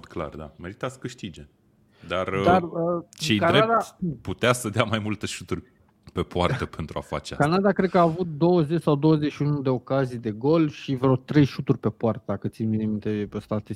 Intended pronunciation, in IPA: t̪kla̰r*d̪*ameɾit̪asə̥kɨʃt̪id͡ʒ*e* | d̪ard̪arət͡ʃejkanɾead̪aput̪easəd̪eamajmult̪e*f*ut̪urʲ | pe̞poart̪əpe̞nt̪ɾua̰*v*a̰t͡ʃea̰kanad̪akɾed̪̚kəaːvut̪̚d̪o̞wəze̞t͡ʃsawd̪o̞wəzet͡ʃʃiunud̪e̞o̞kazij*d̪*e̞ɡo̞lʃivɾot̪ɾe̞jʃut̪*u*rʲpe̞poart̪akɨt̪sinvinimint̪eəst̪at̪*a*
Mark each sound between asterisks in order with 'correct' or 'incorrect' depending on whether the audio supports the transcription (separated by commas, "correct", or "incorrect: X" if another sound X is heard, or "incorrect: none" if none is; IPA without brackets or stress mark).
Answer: correct, correct, incorrect: ʃ, incorrect: f, correct, correct, incorrect: e